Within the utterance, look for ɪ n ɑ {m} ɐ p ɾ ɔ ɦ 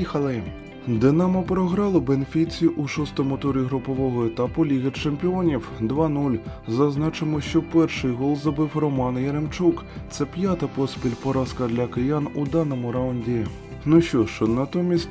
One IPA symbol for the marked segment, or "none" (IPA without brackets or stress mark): m